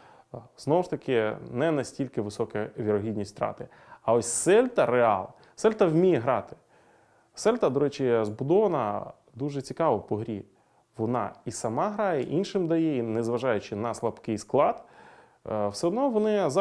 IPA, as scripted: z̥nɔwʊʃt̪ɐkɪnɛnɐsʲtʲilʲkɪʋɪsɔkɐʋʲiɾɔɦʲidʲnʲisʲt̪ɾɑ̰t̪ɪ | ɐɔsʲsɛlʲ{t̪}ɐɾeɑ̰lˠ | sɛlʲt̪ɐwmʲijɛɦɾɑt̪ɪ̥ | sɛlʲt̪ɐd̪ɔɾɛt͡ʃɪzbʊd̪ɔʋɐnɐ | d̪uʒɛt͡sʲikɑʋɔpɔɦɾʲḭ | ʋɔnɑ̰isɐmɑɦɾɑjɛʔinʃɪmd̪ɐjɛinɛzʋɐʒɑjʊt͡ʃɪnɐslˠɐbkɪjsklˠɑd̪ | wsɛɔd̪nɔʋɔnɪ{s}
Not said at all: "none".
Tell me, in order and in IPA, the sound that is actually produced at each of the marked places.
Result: t̪, z

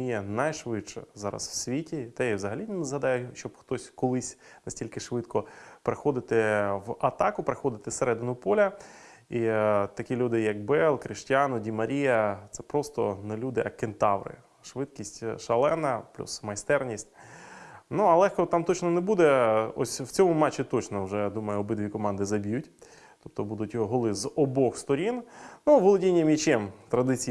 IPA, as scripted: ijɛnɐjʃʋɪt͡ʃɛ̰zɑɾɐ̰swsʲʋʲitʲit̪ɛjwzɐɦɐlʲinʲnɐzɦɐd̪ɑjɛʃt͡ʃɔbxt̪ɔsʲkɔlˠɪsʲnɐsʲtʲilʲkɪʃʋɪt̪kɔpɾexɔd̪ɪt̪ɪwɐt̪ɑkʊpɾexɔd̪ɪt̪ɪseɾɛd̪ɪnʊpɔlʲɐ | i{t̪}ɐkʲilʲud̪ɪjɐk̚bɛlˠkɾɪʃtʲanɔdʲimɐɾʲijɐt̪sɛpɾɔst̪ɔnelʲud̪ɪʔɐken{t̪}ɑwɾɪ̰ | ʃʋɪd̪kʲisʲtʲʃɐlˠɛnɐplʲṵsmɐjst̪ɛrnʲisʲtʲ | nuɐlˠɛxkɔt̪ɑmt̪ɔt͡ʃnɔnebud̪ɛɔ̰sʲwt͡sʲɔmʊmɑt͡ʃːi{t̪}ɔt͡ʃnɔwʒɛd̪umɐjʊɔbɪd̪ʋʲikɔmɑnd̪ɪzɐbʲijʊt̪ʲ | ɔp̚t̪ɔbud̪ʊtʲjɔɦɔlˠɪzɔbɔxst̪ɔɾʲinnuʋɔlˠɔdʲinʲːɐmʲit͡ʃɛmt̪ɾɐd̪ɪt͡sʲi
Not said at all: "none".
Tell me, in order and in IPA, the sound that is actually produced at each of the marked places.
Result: t̪, t̪, t̪

